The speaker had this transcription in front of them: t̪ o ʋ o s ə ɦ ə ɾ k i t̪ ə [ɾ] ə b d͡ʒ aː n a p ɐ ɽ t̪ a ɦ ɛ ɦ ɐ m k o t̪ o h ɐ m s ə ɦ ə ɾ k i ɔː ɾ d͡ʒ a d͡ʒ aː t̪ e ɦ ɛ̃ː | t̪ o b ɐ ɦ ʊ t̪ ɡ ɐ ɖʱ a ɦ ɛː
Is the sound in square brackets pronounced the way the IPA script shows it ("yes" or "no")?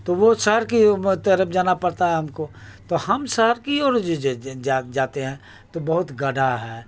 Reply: yes